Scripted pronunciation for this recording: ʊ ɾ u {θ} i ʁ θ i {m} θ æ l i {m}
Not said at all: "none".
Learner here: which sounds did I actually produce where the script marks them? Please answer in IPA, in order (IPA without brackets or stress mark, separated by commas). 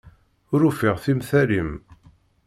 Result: f, m, m